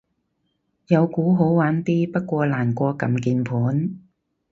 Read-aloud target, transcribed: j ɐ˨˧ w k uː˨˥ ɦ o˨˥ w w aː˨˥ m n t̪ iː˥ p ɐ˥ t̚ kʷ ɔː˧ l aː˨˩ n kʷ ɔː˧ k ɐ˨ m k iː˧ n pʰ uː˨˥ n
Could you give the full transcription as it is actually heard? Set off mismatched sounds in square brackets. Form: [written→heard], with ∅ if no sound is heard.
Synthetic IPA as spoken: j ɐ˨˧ w k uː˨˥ ɦ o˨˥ w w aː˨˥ [m→∅] n t̪ iː˥ p ɐ˥ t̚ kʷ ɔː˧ l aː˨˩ n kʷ ɔː˧ k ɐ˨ m k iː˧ n pʰ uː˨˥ n